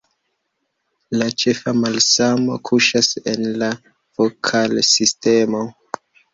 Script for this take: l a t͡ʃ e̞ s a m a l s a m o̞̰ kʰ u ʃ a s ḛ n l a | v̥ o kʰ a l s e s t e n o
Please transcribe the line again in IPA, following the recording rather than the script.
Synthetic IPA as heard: l a t͡ʃ e̞ f a m a l s a m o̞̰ kʰ u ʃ a s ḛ n l a | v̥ o kʰ a l s i s t e m o